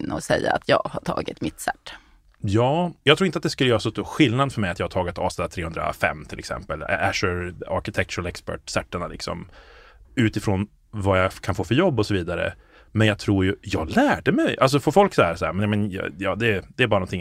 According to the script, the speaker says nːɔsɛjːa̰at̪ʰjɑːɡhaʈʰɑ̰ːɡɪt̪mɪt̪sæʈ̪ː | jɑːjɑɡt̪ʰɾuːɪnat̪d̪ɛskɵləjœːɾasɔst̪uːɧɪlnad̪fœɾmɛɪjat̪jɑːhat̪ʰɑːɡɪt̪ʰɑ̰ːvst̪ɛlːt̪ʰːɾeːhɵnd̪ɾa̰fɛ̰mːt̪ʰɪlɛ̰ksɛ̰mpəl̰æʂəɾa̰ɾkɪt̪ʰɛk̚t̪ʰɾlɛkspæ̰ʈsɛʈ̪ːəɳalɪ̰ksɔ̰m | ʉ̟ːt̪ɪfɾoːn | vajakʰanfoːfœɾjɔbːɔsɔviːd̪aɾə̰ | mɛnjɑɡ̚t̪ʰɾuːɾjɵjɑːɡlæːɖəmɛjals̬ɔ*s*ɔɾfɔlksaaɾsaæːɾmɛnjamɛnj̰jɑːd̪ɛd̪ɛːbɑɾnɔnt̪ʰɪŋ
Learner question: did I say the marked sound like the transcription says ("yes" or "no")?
no